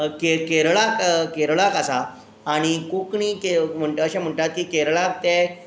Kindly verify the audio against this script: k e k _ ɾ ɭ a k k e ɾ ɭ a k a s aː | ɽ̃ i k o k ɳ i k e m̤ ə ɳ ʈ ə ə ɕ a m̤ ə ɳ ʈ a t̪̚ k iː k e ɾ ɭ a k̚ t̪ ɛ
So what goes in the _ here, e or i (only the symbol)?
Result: e